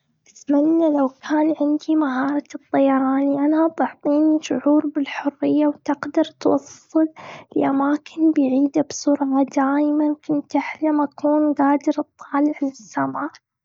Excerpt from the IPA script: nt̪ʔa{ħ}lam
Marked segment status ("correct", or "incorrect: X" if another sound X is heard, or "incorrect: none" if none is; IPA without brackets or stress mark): correct